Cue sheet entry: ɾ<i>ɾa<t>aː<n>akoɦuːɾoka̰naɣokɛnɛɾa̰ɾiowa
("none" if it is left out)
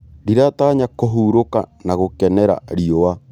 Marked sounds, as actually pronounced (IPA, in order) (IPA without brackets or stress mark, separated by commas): i, t, ɲ